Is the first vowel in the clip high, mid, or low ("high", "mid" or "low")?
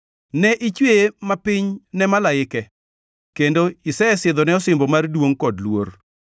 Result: mid